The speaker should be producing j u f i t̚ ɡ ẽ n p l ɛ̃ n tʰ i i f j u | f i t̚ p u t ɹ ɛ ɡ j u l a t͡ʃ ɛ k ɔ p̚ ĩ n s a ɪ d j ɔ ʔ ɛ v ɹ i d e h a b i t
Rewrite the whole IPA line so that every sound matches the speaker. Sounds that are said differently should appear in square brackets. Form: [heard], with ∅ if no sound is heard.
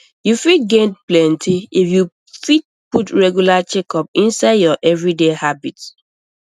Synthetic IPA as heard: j u f i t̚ ɡ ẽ n p l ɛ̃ n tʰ i i f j u | f i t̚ p u t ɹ ɛ ɡ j u l a t͡ʃ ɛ k ɔ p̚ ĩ n s a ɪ d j ɔ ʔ ɛ v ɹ i d e h a b i t